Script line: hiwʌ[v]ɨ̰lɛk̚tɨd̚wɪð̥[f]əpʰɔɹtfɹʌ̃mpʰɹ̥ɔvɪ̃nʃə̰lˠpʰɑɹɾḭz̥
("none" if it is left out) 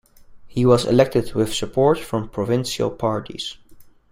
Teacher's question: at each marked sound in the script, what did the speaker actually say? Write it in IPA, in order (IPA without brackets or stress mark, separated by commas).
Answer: z, s